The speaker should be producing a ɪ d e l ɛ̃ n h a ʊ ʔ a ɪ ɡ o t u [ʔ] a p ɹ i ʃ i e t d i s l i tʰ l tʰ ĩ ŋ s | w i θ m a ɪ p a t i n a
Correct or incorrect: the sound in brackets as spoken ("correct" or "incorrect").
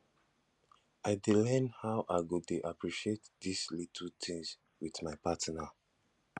correct